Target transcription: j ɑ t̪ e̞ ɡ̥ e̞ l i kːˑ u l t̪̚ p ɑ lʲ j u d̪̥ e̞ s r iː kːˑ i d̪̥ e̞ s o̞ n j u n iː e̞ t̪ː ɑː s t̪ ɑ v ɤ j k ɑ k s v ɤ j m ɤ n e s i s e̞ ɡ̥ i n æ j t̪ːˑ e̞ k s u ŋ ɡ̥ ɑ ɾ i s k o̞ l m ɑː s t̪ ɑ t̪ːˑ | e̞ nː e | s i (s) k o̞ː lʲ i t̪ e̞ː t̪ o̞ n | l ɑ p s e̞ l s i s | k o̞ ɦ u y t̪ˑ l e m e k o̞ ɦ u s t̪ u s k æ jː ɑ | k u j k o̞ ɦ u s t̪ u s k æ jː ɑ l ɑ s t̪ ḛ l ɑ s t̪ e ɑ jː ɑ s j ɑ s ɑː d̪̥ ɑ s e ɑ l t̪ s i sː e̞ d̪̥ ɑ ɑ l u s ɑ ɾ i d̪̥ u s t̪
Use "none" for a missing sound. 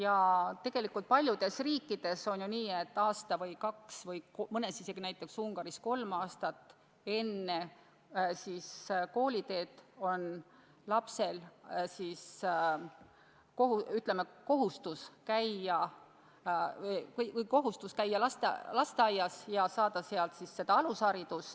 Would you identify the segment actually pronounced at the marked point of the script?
s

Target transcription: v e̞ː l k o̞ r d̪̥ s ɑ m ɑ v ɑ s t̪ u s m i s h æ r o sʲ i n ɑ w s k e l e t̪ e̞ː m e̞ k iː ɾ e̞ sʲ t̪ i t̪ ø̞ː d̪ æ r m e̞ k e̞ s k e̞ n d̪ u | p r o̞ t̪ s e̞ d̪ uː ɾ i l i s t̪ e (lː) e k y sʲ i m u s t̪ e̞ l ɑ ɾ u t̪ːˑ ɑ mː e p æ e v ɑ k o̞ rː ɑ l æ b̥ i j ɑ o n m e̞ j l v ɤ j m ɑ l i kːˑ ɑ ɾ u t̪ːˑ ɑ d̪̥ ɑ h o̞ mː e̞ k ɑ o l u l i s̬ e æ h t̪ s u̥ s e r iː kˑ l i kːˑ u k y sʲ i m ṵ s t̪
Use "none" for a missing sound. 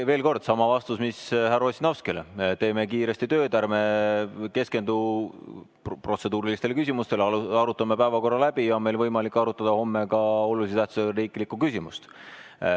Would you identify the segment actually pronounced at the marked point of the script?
l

